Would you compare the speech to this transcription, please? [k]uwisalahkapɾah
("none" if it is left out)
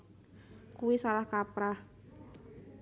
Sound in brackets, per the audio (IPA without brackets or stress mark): k